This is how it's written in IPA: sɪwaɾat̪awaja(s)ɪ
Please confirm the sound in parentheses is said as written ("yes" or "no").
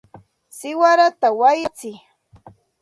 no